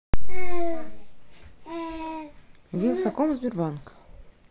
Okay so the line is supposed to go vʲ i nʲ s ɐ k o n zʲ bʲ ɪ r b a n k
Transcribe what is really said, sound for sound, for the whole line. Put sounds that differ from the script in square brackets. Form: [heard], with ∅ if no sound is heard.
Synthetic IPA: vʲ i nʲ s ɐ k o [m] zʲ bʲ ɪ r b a n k

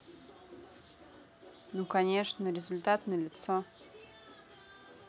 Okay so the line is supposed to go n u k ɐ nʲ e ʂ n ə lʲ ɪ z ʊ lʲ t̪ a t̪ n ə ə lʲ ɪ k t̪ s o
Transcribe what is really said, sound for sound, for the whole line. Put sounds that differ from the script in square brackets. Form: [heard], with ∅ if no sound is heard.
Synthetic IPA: n u k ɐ nʲ e ʂ n ə [ɾʲ] ɪ z ʊ lʲ t̪ a t̪ n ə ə lʲ ɪ [∅] t̪ s o

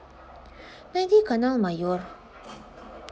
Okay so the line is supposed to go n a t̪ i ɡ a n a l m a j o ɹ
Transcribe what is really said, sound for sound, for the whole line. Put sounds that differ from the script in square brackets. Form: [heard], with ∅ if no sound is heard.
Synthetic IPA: n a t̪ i [k] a n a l m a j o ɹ

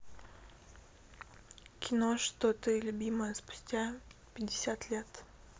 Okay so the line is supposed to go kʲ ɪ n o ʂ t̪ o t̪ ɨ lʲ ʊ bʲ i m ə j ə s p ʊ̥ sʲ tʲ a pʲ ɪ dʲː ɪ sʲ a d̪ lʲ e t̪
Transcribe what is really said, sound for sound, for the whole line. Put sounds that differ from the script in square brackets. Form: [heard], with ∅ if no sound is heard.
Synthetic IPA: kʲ ɪ n o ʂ t̪ o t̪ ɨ lʲ ʊ bʲ i m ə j ə s p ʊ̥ sʲ tʲ a pʲ ɪ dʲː ɪ sʲ a [t̪] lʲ e t̪

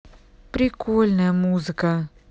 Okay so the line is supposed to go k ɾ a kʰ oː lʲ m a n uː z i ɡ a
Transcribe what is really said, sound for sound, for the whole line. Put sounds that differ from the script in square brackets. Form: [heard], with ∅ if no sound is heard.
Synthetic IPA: [p] ɾ [i] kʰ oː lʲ [n] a [m] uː z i [k] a

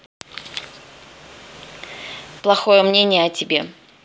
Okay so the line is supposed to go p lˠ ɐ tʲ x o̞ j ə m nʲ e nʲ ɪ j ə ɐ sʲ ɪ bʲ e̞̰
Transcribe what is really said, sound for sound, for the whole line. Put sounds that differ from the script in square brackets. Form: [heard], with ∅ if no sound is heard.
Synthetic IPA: p lˠ ɐ [∅] x o̞ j ə m nʲ e nʲ ɪ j ə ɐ [tʲ] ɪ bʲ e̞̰

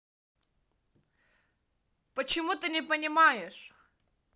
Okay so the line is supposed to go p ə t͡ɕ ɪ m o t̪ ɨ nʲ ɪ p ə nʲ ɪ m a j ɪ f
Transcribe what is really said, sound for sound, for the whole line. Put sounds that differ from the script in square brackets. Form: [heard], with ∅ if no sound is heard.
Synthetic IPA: p ə t͡ɕ ɪ m [u] t̪ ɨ nʲ ɪ p ə nʲ ɪ m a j ɪ [ʂ]

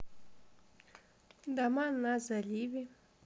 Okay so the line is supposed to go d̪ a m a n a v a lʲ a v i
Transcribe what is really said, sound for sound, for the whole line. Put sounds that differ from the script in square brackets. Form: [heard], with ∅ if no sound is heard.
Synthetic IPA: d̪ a m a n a [z] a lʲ [i] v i

